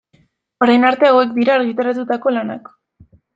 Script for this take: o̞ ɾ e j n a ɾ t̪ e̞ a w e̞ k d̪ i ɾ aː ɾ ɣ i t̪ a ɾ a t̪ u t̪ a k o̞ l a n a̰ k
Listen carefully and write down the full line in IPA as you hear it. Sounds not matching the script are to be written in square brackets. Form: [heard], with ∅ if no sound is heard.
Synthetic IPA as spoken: o̞ ɾ [a] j n a ɾ t̪ e̞ a w e̞ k d̪ i ɾ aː ɾ ɣ i t̪ a ɾ a t̪ u t̪ a k o̞ l a n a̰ k